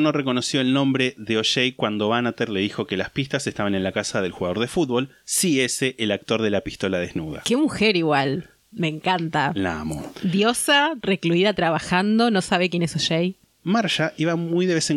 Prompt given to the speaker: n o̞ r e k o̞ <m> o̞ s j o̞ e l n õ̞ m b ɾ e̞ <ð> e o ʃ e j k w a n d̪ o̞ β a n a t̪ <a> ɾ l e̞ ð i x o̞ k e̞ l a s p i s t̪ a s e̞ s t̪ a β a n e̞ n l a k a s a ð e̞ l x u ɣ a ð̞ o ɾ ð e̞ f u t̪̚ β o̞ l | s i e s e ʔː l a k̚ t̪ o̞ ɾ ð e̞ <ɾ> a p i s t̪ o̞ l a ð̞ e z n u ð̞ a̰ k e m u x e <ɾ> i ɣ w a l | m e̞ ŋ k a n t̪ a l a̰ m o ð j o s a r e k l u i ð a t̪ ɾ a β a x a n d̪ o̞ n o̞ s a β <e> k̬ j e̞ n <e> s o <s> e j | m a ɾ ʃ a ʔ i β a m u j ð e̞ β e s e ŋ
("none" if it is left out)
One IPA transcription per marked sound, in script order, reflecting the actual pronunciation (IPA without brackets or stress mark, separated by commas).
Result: n, ð, e, l, ɾ, e, e, ʃ